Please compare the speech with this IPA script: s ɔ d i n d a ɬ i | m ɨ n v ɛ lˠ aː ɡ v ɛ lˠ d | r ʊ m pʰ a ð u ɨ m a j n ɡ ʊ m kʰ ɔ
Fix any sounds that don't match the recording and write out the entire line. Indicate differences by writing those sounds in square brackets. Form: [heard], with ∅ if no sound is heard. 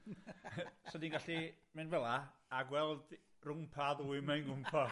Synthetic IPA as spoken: s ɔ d i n [ɡ] a ɬ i | m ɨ n v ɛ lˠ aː ɡ [w] ɛ lˠ d | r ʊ m pʰ a ð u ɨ m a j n ɡ ʊ m [pʰ] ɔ

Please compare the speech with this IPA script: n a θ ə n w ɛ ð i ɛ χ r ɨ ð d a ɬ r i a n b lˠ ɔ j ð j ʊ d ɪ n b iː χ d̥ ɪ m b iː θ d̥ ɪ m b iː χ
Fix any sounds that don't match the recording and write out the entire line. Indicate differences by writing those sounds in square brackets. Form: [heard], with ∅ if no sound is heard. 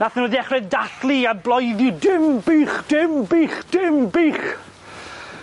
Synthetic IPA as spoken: n a θ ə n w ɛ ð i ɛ χ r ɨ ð d a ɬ [l] i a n b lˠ ɔ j ð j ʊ d ɪ [m] b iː χ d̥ ɪ m b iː [χ] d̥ ɪ m b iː χ

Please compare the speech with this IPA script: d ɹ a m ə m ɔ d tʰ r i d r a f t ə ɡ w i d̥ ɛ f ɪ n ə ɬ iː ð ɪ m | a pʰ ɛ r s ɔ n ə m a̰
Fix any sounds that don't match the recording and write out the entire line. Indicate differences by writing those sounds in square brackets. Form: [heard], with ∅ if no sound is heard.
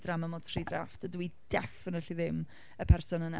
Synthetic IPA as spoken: d [r] a m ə m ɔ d tʰ r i d r a f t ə [d] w i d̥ ɛ f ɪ n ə ɬ [i] ð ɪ m | [ə] pʰ ɛ r s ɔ n ə [n] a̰

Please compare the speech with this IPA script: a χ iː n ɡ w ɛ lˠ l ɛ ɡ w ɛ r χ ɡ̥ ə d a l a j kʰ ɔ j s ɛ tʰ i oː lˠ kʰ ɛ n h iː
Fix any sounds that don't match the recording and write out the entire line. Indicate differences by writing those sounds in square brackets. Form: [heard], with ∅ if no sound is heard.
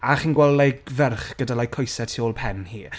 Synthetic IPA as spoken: a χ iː n ɡ w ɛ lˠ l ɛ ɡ [v] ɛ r χ ɡ̥ ə d a l a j kʰ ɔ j s ɛ tʰ i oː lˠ [pʰ] ɛ n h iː

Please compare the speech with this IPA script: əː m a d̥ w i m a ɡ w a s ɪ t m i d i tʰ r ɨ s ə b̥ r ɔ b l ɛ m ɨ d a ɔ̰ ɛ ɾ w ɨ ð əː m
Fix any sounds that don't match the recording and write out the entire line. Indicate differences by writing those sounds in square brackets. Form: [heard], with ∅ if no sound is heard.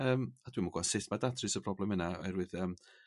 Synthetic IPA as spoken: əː m a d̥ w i m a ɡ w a s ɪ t m [a] d [a] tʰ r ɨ s ə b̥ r ɔ b l ɛ m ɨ [n] a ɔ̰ ɛ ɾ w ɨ ð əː m

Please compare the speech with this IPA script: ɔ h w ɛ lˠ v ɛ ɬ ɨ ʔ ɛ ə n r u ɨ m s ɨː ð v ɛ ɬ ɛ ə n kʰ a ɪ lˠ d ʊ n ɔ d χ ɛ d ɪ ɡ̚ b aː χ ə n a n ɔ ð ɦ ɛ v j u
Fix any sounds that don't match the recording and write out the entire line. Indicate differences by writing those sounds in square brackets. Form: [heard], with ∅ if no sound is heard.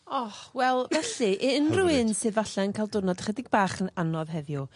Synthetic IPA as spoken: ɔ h w ɛ lˠ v ɛ ɬ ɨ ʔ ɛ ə n r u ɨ [n] s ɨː ð v [a] ɬ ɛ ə n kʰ a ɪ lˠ d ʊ n ɔ d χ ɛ d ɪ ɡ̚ b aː χ ə n a n ɔ ð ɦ ɛ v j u

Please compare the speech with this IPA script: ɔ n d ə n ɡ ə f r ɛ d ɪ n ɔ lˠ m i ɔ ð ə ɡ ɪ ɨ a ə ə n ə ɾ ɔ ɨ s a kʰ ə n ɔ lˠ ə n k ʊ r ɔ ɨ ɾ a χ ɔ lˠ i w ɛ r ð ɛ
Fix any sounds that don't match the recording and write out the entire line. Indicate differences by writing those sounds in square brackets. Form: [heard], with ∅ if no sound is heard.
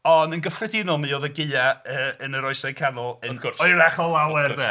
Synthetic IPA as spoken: ɔ n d ə n ɡ ə f r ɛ d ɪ n ɔ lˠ m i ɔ ð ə ɡ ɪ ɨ a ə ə n ə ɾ ɔ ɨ s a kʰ [a] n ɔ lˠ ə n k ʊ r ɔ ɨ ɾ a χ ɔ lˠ [a] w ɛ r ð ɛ

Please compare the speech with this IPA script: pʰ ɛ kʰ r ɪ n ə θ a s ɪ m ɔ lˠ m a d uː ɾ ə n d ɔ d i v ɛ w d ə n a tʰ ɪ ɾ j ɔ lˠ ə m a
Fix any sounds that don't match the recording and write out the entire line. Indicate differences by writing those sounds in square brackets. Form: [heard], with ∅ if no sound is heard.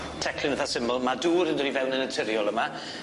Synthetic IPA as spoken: [tʰ] ɛ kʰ [l] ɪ n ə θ a s ɪ m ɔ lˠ m a d uː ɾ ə n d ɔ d i v ɛ w [n] ə n [ə] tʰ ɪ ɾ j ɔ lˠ ə m a

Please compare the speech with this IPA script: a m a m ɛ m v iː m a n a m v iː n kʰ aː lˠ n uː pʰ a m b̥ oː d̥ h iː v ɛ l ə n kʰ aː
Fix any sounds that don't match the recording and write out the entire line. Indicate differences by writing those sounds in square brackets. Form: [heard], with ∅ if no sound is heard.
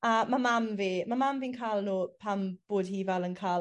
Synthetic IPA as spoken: a m a m [a] m v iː m a [m] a m v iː n kʰ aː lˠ n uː pʰ a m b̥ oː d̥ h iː v ɛ l ə n kʰ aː

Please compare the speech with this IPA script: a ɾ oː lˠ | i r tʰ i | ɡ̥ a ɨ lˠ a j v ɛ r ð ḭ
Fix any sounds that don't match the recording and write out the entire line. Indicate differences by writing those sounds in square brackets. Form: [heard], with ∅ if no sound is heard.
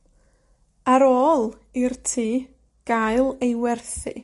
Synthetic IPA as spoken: a ɾ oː lˠ | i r tʰ [iː] | ɡ̥ a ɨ lˠ [e] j [w] ɛ r [θ] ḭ

